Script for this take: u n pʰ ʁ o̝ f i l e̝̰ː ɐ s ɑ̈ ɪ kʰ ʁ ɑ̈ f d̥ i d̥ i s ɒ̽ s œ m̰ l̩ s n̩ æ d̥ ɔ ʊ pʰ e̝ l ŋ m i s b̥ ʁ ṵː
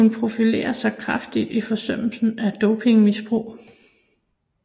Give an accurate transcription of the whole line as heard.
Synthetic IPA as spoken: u n pʰ ʁ o̝ f i l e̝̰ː ɐ s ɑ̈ ɪ kʰ ʁ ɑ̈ f d̥ i d̥ i f ɒ̽ s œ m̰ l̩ s n̩ æ d̥ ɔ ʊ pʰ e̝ ŋ m i s b̥ ʁ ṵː